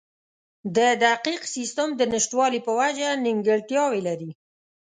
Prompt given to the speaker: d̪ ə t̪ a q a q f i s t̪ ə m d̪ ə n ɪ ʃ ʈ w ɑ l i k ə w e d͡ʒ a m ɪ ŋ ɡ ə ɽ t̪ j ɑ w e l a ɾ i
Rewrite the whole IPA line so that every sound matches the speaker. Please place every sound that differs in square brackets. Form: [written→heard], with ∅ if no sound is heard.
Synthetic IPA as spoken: d̪ ə [t̪→d̪] a q [a→i] q [f→s] i s t̪ ə m d̪ ə n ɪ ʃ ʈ w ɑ l i [k→p] ə w [e→a] d͡ʒ a [m→n] ɪ ŋ ɡ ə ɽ t̪ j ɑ w e l a ɾ i